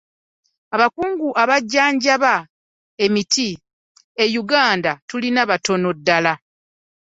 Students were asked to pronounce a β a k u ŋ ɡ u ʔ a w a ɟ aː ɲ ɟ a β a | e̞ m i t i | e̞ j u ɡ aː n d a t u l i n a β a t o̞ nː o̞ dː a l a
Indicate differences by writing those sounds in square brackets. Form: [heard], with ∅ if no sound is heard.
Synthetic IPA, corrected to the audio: a β a k [uː] ŋ ɡ u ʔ a [β] a [ɟː] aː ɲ ɟ a β a | e̞ m i t i | e̞ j u ɡ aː n d a t u l i n a β a t o̞ [n] o̞ dː a l a

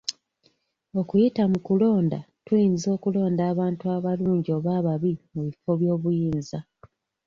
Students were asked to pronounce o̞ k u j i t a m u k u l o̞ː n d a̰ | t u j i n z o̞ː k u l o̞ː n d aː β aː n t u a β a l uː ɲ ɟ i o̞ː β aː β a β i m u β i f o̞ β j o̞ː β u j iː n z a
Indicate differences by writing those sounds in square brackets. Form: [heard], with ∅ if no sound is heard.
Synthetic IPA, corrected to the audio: o̞ k u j i t a m u k u l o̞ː n d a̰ | t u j i n z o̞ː k u l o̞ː n d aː β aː n t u a β a l uː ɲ ɟ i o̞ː β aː β a β i m u β i f o̞ β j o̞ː β u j iː n z a

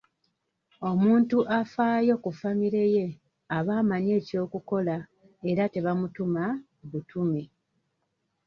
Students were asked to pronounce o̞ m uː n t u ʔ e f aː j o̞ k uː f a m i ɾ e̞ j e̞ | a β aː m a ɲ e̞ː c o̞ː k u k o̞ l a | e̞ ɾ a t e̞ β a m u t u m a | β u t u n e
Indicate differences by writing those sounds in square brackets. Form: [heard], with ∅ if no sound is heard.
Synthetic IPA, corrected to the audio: o̞ m uː n t u ʔ [a] f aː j o̞ k [u] f a m i ɾ e̞ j e̞ | a β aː m a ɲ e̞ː c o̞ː k u k o̞ l a | e̞ ɾ a t e̞ β a m u t u m a | β u t u [m] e

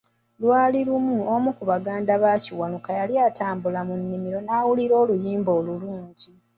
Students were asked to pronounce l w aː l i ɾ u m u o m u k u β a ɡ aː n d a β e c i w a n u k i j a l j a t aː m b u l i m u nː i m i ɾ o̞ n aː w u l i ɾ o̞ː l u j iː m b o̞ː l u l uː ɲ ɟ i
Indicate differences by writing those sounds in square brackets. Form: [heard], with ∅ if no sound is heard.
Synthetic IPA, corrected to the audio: l w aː l i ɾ u m u o m u k u β a ɡ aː n d a β [a] c i w a n u k [a] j a l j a t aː m b u l [a] m u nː i m i ɾ o̞ n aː w u l i ɾ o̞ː l u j iː m b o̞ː l u l uː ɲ ɟ i

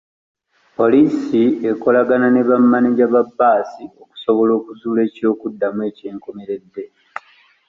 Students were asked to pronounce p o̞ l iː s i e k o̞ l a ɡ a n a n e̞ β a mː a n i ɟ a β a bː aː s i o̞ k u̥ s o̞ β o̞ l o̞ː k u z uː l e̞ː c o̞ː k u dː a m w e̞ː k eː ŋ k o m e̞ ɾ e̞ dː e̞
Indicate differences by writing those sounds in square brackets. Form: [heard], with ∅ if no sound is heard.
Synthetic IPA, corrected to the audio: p o̞ l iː s i e k o̞ l a ɡ a n a n e̞ β a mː a n i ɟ a β a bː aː s i o̞ k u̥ s o̞ β o̞ l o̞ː k u z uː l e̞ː c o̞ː k u dː a m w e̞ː [c] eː ŋ k o m e̞ ɾ e̞ dː e̞

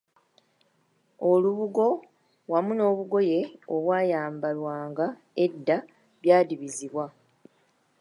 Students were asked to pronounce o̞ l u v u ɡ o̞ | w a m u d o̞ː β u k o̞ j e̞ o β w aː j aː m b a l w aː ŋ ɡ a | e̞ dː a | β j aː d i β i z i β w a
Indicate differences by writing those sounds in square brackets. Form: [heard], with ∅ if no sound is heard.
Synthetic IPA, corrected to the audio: o̞ l u [β] u ɡ o̞ | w a m u [n] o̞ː β u [ɡ] o̞ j e̞ o β w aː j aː m b a l w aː ŋ ɡ a | e̞ dː a | β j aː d i β i z i β w a

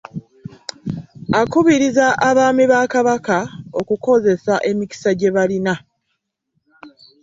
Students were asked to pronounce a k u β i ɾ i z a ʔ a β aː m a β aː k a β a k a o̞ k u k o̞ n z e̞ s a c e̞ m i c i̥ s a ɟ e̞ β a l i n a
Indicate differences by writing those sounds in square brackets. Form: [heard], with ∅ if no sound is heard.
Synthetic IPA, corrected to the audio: a k u β i ɾ i z a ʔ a β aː m [i] β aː k a β a k a o̞ k u k o̞ [∅] z e̞ s a [ʔ] e̞ m i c i̥ s a ɟ e̞ β a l i n a

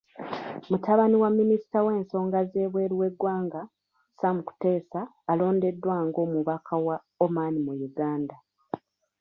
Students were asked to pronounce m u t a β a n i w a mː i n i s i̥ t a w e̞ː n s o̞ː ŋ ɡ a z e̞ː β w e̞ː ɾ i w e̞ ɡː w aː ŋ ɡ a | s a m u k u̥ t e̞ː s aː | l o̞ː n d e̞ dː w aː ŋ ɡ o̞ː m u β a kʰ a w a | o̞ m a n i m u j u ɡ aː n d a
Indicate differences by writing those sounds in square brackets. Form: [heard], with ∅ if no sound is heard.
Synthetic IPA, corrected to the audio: m u t a β a n i w a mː i n i s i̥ t a w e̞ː n s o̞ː ŋ ɡ a z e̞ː β w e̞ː ɾ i w e̞ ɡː w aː ŋ ɡ a | s a m u k u̥ t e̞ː s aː | l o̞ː n d e̞ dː w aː ŋ ɡ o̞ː m u β a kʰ a w a | o̞ m a n i m u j u ɡ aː n d a

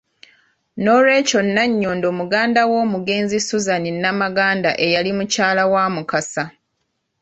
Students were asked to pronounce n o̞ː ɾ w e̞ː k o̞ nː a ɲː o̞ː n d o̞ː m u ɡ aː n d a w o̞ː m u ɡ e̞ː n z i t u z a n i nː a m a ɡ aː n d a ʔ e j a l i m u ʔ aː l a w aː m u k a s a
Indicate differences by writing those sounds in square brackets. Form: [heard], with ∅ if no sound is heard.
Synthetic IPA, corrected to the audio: n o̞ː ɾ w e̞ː [c] o̞ nː a ɲː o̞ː n d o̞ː m u ɡ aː n d a w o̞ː m u ɡ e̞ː n z i [s] u z a n i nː a m a ɡ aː n d a ʔ e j a l i m u [c] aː l a w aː m u k a s a

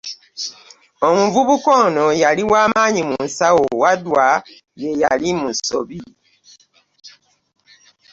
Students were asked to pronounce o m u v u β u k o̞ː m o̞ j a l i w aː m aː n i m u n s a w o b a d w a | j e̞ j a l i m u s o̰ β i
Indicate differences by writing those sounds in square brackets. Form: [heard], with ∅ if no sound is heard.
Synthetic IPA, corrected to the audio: o m u v u β u k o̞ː [n] o̞ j a l i w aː m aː [ɲ] i m u n s a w o [w] a d w a | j e̞ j a l i m u s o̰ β i

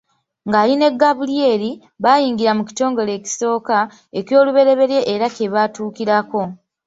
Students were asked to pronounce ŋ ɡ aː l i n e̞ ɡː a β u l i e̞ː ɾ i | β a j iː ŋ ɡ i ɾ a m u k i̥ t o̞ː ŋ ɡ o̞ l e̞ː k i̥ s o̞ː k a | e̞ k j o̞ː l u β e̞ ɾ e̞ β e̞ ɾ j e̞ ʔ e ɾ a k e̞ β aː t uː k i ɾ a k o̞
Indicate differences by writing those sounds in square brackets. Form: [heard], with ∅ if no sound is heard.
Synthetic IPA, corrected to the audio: ŋ ɡ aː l i n e̞ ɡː a β u l i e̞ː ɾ i | β a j iː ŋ ɡ i ɾ a m u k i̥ t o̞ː ŋ ɡ o̞ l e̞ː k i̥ s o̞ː k a | e̞ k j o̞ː l u β e̞ ɾ e̞ β e̞ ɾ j e̞ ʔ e ɾ a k e̞ β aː t uː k i ɾ a k o̞

